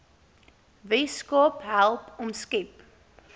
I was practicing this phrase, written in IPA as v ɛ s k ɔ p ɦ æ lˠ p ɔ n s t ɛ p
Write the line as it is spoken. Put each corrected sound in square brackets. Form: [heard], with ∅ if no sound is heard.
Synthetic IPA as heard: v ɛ s k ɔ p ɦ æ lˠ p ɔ [m] s [k] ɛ p